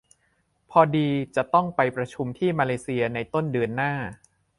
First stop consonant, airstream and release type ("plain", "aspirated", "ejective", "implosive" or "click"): aspirated